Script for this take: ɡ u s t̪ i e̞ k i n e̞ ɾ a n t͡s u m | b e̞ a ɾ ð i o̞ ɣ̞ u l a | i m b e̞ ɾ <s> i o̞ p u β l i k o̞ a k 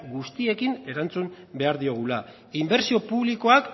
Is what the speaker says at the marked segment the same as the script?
yes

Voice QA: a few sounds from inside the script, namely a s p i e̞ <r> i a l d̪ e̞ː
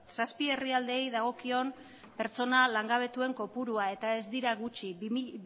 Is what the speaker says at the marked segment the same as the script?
yes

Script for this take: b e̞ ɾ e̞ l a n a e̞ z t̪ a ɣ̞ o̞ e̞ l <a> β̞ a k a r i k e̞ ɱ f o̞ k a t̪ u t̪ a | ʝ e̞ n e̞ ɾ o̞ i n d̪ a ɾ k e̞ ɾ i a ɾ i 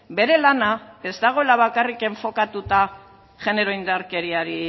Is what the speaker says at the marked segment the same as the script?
yes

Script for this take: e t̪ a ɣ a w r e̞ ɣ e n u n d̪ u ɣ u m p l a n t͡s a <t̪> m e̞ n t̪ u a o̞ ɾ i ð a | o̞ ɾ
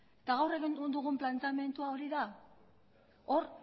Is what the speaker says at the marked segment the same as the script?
no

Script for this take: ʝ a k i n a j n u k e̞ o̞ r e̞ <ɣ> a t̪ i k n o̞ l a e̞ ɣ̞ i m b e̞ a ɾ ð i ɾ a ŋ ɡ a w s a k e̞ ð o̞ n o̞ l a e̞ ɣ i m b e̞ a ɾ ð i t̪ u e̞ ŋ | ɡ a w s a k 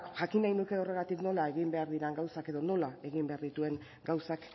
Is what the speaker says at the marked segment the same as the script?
yes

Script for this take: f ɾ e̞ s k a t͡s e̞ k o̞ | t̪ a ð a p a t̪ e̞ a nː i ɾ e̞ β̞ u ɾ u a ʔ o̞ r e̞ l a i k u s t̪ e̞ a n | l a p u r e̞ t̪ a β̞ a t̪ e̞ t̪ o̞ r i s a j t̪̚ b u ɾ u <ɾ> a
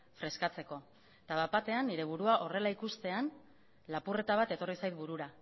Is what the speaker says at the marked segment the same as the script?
yes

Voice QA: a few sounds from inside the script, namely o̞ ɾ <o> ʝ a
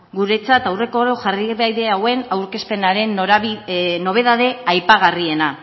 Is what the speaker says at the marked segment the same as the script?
yes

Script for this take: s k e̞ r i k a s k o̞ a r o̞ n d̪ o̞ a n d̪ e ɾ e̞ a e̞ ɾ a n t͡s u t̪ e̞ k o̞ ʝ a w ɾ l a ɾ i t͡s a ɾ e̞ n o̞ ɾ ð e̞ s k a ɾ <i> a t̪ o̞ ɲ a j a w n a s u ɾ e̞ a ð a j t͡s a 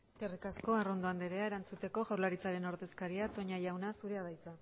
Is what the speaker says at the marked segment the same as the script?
yes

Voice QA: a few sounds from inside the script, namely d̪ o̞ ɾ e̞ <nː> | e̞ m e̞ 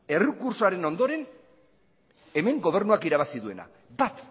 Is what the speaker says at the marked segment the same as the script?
no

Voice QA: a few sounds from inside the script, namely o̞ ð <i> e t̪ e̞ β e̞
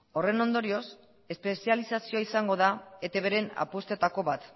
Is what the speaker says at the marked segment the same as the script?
no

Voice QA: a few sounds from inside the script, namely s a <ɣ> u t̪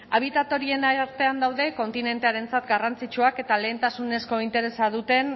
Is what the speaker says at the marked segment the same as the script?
no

